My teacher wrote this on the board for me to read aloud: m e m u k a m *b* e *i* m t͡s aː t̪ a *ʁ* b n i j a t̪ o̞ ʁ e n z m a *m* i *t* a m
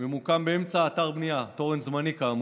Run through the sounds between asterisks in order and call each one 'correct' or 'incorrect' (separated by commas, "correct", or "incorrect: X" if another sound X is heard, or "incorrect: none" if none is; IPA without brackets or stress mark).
correct, incorrect: e, correct, incorrect: n, incorrect: k